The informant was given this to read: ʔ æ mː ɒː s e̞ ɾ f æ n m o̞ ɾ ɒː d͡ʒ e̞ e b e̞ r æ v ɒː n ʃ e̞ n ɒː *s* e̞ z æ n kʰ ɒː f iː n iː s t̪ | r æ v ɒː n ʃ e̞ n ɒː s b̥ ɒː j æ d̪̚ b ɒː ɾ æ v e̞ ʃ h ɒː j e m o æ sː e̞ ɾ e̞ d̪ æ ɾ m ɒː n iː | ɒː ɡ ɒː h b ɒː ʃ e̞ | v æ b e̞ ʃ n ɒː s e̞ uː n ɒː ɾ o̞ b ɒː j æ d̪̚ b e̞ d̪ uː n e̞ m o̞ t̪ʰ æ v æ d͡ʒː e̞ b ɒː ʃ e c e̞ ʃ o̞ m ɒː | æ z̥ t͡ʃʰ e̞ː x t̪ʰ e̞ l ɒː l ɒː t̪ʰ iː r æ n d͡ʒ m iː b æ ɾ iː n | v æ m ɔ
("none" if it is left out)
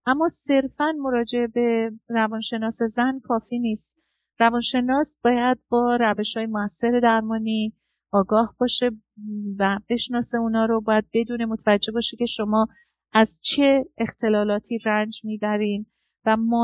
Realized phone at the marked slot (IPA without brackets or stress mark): s